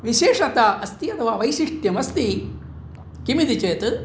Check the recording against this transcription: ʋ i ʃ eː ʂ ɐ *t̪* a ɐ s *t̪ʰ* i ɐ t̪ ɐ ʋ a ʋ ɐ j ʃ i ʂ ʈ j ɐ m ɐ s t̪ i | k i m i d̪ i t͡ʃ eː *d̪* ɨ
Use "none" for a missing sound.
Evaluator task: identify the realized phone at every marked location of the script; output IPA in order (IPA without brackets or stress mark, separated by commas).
t̪, t̪, t̪